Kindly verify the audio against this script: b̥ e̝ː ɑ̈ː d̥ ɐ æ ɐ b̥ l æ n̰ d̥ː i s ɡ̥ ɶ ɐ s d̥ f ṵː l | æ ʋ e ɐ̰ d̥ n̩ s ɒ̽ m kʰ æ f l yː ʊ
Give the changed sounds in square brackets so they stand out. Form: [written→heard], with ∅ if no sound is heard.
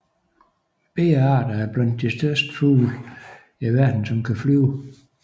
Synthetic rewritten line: b̥ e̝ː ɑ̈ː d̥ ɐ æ ɐ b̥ l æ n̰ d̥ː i s [ɡ̥→d̥] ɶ ɐ s d̥ f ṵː l | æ ʋ [e→æ] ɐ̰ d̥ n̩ s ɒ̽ m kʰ æ f l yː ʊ